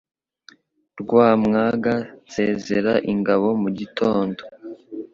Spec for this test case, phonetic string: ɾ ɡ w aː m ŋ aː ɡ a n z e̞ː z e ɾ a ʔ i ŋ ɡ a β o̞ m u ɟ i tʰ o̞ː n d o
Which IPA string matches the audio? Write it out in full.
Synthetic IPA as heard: ɾ ɡ w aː m ŋ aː ɡ a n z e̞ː z e ɾ a ʔ i ŋ ɡ a β o̞ m u ɟ i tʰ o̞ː n d o